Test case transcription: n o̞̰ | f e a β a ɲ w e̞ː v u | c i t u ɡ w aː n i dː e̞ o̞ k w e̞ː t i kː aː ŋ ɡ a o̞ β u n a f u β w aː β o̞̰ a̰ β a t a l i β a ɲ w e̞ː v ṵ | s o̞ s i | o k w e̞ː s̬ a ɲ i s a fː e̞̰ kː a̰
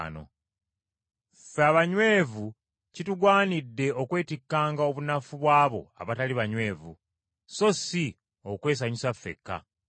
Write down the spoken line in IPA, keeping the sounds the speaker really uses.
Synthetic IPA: n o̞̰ | f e a β a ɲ w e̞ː v u | c i t u ɡ w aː n i dː e̞ o̞ k w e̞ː t i kː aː ŋ ɡ a o̞ β u n a f u β w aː β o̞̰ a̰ β a t a l i β a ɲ w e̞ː v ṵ | s o̞ s i | o k w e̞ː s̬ a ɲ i s a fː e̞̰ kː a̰